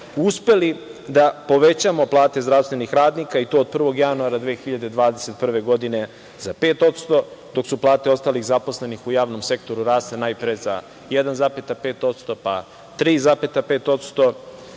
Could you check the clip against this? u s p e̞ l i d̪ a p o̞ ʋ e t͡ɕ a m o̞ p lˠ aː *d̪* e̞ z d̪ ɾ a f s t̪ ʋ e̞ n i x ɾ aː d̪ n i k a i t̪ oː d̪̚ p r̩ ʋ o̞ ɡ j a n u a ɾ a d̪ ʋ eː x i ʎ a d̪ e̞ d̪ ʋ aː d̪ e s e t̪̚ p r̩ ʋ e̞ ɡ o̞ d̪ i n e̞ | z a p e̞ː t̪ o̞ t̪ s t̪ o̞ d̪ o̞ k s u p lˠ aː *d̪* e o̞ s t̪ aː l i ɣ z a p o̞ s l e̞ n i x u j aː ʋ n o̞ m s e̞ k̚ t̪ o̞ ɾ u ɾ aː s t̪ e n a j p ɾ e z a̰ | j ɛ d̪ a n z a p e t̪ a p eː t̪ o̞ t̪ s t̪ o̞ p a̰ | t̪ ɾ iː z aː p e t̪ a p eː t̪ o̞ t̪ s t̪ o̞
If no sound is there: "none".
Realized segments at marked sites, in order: t̪, t̪

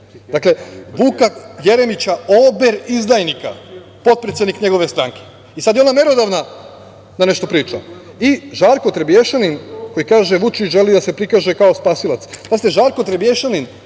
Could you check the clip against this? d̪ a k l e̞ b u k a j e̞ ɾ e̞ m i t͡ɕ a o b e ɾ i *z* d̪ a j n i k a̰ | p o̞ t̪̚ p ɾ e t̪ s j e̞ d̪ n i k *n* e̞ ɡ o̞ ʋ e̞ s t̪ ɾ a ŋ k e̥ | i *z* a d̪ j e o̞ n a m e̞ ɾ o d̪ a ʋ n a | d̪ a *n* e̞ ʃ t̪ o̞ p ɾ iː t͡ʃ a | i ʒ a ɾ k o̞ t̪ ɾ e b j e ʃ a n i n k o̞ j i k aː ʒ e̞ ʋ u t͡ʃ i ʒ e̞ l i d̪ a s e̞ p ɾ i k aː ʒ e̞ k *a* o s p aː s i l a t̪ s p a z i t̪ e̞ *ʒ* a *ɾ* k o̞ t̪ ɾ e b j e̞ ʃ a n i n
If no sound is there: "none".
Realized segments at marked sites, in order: z, ɲ, s, n, a, ʒ, ɾ

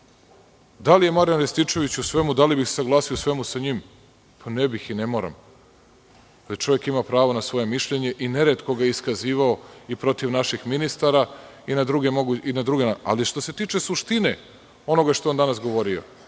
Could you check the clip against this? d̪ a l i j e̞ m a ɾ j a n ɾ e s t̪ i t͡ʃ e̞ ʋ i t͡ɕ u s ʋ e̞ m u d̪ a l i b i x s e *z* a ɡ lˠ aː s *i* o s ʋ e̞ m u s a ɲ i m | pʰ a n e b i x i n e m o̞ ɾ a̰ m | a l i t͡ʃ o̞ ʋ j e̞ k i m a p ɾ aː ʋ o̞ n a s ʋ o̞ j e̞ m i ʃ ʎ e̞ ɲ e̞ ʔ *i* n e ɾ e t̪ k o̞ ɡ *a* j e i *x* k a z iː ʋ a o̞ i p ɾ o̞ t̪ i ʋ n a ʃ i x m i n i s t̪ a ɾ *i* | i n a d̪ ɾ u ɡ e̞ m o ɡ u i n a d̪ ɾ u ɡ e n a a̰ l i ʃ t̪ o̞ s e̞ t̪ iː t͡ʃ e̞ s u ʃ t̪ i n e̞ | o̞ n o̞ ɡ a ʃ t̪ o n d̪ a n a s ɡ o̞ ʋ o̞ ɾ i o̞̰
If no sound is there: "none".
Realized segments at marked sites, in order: s, i, i, a, s, a

